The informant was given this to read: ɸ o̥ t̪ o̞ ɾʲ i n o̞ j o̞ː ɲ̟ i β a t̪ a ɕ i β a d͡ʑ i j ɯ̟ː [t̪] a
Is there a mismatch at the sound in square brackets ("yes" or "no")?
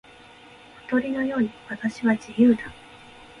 yes